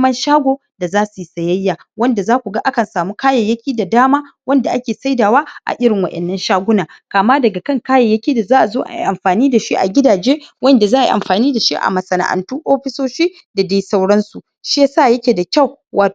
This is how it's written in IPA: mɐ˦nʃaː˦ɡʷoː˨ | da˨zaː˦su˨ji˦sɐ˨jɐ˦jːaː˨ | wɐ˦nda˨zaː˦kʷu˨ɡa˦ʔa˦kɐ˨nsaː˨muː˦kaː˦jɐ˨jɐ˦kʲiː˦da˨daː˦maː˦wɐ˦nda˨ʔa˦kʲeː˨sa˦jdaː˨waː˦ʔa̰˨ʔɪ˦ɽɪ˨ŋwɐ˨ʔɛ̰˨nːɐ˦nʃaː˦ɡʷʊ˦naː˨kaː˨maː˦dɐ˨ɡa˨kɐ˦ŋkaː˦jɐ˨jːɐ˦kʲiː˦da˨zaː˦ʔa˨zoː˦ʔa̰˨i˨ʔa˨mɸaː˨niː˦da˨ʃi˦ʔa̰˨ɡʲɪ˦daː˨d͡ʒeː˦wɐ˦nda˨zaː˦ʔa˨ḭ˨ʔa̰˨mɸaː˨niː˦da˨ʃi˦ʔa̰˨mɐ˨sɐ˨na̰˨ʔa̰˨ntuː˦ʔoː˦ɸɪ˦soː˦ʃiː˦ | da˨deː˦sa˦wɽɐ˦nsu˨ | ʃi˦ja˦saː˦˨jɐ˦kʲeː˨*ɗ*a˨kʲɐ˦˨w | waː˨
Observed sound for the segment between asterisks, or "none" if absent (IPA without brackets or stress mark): d